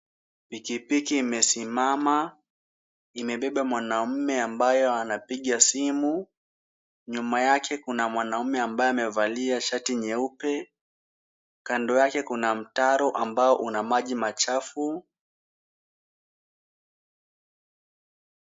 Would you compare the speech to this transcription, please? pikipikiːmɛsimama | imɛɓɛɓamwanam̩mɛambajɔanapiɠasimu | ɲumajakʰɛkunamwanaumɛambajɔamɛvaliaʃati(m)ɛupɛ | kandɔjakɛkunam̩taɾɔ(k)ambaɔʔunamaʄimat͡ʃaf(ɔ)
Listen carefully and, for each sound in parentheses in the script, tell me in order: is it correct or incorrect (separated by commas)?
incorrect, incorrect, incorrect